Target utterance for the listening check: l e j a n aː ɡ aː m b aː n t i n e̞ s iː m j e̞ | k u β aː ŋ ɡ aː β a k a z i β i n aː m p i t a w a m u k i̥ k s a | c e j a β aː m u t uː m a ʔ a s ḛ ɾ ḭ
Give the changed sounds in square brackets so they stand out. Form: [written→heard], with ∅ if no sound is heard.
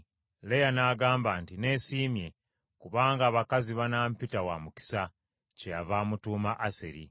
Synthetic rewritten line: l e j a n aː ɡ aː m b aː n t i n e̞ s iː m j e̞ | k u β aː ŋ ɡ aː β a k a z i β [i→a] n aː m p i t a w a m u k i̥ [k→∅] s a | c e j a [β→v] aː m u t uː m a ʔ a s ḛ ɾ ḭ